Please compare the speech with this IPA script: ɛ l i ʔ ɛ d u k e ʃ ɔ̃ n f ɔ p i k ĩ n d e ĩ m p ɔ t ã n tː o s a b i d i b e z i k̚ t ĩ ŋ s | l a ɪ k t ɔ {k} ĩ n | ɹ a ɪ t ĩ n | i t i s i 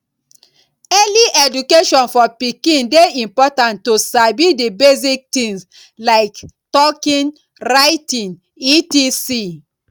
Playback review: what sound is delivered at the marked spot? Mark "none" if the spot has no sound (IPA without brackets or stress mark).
k